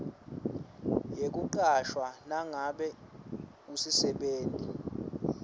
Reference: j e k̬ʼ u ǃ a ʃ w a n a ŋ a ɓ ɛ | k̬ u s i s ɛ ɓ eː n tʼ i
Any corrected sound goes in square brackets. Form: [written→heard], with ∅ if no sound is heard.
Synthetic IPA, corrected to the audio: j e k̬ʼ u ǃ a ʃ w a n a ŋ a ɓ ɛ | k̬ u s i s ɛ ɓ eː n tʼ i